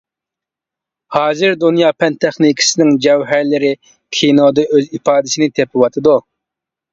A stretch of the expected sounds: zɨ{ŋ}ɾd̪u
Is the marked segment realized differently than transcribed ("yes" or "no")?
yes